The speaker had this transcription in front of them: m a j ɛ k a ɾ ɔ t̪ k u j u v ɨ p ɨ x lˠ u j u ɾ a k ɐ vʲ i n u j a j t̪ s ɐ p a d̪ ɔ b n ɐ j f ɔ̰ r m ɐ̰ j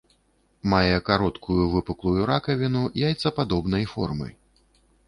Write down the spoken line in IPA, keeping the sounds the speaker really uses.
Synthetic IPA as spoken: m a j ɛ k a ɾ ɔ t̪ k u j u v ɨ p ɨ k lˠ u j u ɾ a k ɐ vʲ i n u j a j t̪ s ɐ p a d̪ ɔ b n ɐ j f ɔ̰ r m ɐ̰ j

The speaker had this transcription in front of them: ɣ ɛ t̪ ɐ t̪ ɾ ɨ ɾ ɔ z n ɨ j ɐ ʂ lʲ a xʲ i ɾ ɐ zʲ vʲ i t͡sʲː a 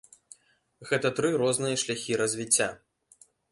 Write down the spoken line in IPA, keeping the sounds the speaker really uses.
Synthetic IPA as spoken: ɣ ɛ t̪ ɐ t̪ ɾ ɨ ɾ ɔ z n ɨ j ɐ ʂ lʲ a xʲ i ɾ ɐ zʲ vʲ i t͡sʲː a

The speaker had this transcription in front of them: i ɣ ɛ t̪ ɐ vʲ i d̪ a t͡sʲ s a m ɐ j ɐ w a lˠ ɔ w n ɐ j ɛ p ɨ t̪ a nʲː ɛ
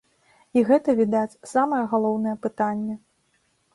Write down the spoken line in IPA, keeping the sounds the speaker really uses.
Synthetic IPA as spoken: i ɣ ɛ t̪ ɐ vʲ i d̪ a t͡sʲ s a m ɐ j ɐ ɣ a lˠ ɔ w n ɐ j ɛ p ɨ t̪ a nʲː ɛ

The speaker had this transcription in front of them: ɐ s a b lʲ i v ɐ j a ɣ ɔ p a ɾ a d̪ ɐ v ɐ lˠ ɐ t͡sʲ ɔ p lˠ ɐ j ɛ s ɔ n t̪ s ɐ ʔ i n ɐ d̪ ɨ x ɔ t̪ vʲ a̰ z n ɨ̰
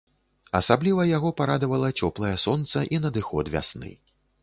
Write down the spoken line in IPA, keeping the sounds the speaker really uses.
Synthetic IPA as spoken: ɐ s a b lʲ i v ɐ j a ɣ ɔ p a ɾ a d̪ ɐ v ɐ lˠ ɐ t͡sʲ ɔ p lˠ ɐ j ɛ s ɔ n t̪ s ɐ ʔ i n ɐ d̪ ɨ x ɔ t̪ vʲ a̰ s n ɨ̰

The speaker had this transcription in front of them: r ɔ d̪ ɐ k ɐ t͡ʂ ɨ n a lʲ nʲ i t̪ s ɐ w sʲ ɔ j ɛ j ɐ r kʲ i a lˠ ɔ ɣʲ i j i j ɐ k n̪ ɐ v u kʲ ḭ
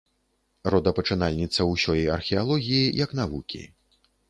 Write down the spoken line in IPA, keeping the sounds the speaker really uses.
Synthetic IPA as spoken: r ɔ d̪ ɐ p ɐ t͡ʂ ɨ n a lʲ nʲ i t̪ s ɐ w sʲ ɔ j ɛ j ɐ r xʲ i a lˠ ɔ ɣʲ i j i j ɐ k n̪ a v u kʲ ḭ

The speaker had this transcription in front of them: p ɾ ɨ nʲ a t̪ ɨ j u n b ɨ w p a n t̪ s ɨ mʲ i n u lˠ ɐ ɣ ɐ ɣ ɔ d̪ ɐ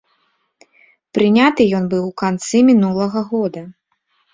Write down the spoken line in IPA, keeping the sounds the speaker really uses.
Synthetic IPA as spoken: p ɾ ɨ nʲ a t̪ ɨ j ɔ n b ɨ w k a n t̪ s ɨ mʲ i n u lˠ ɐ ɣ ɐ ɣ ɔ d̪ ɐ

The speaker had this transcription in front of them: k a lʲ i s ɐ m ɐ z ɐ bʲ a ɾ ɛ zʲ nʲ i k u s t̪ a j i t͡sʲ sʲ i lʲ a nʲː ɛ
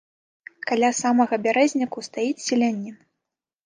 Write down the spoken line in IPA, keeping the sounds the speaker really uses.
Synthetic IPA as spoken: k a lʲ a s a m ɐ ɣ ɐ bʲ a ɾ ɛ zʲ nʲ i k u s t̪ a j i t͡sʲ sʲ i lʲ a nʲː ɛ

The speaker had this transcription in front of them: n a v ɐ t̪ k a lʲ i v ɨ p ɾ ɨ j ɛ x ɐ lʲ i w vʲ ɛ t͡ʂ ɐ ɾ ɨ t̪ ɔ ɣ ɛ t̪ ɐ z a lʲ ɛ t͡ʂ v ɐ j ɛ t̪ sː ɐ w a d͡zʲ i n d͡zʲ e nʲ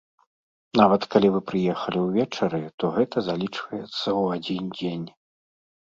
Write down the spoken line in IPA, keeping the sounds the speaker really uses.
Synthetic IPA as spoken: n a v ɐ t̪ k a lʲ i v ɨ p ɾ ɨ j ɛ x ɐ lʲ i w vʲ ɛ t͡ʂ ɐ ɾ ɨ t̪ ɔ ɣ ɛ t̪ ɐ z a lʲ i t͡ʂ v ɐ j ɛ t̪ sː ɐ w a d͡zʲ i n d͡zʲ e nʲ

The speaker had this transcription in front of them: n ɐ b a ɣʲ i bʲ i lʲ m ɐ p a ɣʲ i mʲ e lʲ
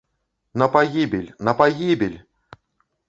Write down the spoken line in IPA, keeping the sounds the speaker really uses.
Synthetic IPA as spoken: n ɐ p a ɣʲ i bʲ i lʲ n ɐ p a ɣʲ i bʲ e lʲ

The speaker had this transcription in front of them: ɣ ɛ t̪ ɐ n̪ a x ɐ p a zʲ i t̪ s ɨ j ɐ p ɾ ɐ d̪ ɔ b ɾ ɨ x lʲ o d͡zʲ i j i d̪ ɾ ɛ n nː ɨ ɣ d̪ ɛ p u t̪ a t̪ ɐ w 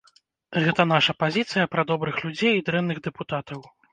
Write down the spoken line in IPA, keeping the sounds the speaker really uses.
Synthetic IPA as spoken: ɣ ɛ t̪ ɐ n̪ a ʂ ɐ p a zʲ i t̪ s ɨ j ɐ p ɾ ɐ d̪ ɔ b ɾ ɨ x lʲ u d͡zʲ e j i d̪ ɾ ɛ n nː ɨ ɣ d̪ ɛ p u t̪ a t̪ ɐ w

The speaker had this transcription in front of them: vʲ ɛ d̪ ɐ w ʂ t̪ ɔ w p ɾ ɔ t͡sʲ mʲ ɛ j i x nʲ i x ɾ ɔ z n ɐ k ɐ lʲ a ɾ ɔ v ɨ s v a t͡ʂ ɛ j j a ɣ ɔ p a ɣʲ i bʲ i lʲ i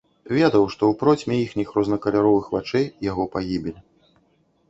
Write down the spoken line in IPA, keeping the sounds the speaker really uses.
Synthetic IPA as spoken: vʲ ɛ d̪ ɐ w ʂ t̪ ɔ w p ɾ ɔ t͡sʲ mʲ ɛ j i x nʲ i x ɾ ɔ z n ɐ k ɐ lʲ a ɾ ɔ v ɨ x v a t͡ʂ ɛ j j a ɣ ɔ p a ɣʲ i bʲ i lʲ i

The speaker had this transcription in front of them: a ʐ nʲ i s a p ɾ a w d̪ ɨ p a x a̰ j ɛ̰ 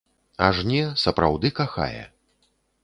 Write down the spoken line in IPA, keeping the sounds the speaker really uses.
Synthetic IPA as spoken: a ʐ nʲ ɛ s ɐ p ɾ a w d̪ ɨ k a x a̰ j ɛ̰

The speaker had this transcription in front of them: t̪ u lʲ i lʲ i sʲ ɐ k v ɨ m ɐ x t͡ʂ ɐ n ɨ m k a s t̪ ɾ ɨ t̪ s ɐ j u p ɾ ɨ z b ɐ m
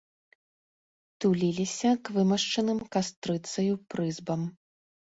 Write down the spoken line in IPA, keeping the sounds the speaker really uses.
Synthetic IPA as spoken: t̪ u lʲ i lʲ i sʲ ɐ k v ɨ m ɐ ʂ t͡ʂ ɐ n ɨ m k a s t̪ ɾ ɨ t̪ s ɐ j u p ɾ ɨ z b ɐ m

